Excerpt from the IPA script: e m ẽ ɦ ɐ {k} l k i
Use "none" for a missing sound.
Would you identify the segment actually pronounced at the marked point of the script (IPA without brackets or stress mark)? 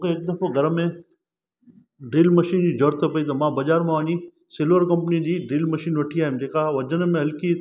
none